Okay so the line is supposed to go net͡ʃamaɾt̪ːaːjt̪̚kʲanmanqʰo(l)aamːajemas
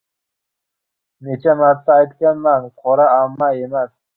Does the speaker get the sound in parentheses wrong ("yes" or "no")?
yes